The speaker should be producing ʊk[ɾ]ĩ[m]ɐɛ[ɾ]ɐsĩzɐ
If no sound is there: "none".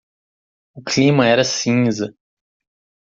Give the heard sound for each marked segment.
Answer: l, m, ɾ

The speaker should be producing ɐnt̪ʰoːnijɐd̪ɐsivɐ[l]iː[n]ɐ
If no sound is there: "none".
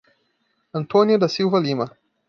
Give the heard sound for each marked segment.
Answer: l, m

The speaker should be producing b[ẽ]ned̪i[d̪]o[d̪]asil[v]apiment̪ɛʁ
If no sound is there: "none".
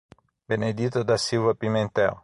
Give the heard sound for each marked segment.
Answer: e, t̪, d̪, v

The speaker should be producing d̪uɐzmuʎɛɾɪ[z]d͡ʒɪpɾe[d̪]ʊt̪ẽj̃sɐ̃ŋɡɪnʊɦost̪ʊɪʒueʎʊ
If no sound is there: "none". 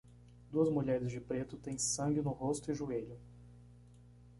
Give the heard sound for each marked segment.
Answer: z, t̪

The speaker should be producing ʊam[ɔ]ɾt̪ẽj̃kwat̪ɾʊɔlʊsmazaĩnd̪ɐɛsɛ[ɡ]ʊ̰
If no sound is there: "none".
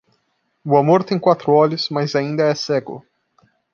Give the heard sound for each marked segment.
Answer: o, ɡ

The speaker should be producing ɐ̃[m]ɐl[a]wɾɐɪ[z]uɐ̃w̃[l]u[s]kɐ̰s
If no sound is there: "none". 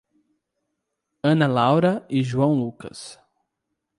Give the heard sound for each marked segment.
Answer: n, a, ʒ, l, none

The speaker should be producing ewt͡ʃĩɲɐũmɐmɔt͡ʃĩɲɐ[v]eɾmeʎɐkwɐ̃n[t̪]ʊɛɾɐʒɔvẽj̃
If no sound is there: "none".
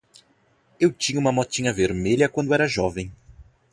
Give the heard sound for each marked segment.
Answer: v, d̪

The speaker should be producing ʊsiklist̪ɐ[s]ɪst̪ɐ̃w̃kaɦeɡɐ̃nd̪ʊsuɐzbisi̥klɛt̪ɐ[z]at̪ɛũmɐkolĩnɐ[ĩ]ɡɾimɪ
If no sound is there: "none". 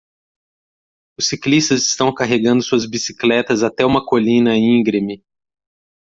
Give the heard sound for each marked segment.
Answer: z, z, ĩ

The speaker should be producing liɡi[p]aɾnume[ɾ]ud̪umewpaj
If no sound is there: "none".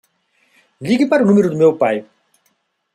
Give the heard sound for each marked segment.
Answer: p, ɾ

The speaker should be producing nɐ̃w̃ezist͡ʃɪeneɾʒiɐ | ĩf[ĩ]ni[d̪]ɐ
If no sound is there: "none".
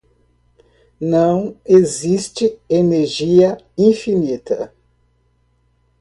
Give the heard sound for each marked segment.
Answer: i, t̪

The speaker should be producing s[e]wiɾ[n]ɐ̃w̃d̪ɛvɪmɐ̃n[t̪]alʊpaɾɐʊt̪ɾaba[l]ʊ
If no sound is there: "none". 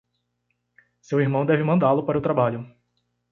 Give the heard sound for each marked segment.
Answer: e, m, d̪, ʎ

